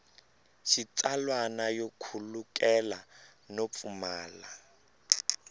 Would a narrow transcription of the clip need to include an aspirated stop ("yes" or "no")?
yes